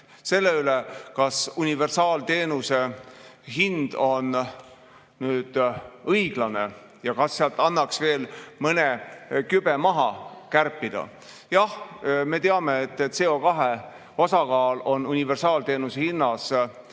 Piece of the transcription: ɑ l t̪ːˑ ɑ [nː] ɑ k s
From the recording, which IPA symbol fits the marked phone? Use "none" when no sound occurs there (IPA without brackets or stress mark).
nː